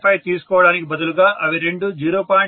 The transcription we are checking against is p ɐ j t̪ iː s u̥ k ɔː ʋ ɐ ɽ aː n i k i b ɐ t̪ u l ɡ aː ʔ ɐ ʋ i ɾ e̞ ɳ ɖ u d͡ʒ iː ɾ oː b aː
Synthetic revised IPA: p ɐ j t̪ iː s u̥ k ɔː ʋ ɐ ɽ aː n i k i b ɐ d̪ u l ɡ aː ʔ ɐ ʋ i ɾ e̞ ɳ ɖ u d͡ʒ iː ɾ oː p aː